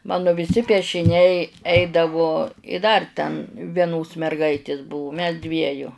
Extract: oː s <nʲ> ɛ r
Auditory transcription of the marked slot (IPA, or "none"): mʲ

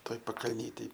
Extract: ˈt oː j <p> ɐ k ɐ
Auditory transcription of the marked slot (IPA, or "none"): p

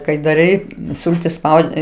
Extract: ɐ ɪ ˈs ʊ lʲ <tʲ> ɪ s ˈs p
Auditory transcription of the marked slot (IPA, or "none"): tʲ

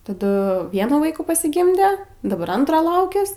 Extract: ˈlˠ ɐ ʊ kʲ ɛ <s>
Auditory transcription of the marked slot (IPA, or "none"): s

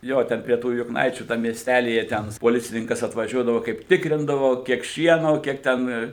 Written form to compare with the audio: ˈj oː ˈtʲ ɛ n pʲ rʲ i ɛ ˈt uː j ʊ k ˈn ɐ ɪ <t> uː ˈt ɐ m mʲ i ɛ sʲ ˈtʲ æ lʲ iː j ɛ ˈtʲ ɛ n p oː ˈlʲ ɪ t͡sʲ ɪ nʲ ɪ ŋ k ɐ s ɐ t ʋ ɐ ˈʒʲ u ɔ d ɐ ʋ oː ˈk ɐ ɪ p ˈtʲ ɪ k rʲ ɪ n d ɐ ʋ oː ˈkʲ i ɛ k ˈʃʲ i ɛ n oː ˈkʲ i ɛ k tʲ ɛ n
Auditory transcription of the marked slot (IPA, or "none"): t͡ʃʲ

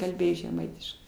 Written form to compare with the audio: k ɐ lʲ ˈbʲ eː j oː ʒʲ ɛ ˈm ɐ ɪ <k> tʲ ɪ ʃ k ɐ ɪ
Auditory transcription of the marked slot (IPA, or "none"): none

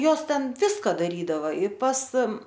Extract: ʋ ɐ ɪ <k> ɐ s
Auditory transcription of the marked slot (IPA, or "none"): p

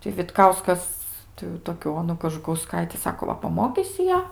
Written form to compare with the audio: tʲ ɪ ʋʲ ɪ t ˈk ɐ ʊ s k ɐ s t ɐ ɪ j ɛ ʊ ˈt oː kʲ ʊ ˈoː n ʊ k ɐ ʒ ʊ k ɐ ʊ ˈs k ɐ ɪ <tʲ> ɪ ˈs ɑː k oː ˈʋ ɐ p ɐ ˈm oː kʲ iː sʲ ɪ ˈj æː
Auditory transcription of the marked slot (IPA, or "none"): tʲ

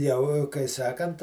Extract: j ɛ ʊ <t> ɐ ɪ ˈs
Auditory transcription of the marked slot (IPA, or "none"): k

